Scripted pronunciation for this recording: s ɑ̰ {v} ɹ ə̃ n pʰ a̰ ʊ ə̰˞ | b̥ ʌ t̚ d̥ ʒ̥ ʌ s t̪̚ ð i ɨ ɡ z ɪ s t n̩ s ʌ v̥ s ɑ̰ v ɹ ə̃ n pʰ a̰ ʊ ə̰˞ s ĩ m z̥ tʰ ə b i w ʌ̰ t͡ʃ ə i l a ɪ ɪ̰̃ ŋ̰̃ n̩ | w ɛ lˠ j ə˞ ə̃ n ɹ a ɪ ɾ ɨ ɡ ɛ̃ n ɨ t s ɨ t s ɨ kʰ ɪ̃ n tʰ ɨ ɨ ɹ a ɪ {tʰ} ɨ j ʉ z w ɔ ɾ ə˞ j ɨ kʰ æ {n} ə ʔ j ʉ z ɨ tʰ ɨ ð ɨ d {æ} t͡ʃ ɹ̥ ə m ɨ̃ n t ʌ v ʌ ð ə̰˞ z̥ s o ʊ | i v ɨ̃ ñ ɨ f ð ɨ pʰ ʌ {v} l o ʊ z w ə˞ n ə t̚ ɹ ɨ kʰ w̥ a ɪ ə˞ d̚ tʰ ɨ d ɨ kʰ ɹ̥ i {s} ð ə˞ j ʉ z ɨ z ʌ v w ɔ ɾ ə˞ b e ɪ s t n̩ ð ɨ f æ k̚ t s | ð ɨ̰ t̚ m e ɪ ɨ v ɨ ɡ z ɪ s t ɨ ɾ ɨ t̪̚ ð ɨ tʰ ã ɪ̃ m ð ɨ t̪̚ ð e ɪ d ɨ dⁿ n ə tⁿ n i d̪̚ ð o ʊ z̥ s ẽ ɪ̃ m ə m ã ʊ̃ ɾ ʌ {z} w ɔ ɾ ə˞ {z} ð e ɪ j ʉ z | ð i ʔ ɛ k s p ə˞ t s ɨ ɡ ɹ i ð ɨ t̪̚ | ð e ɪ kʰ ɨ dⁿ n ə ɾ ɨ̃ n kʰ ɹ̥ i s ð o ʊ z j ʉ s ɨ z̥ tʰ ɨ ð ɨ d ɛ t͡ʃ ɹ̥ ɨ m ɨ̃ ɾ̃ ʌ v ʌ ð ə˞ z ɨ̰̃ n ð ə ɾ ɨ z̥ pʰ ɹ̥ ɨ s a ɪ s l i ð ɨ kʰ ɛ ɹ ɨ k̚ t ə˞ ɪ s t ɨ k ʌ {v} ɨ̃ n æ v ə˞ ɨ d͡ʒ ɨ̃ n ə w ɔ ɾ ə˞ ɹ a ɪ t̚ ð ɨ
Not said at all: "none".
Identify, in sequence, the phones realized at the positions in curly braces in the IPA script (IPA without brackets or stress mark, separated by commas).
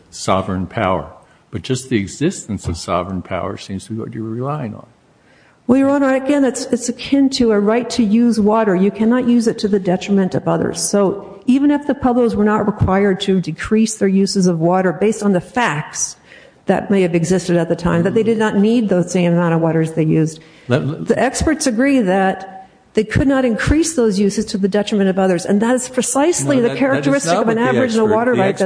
v, tʰ, n, ɛ, b, s, v, z, v